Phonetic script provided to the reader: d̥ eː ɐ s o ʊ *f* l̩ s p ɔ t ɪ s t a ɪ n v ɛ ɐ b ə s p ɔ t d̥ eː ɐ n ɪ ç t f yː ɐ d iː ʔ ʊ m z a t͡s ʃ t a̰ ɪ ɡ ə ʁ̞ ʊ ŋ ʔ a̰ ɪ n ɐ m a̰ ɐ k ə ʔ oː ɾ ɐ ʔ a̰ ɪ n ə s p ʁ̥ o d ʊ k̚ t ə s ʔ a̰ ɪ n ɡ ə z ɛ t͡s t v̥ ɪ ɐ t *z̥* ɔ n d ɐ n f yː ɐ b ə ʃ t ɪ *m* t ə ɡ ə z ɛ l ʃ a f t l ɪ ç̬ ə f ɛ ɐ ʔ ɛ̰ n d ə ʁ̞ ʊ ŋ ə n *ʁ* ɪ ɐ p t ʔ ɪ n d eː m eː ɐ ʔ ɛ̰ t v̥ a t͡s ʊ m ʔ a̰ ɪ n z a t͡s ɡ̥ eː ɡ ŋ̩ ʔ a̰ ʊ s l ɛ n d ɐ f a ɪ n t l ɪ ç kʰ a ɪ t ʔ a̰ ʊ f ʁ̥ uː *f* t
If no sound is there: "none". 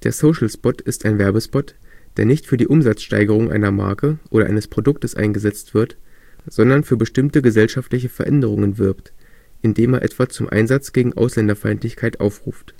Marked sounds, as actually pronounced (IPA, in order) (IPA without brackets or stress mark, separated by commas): ʃ, z̥, m, v, f